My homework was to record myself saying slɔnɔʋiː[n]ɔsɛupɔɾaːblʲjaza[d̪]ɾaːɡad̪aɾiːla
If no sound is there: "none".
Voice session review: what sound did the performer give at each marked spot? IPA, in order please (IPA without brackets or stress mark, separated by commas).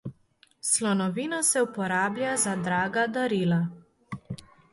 n, d̪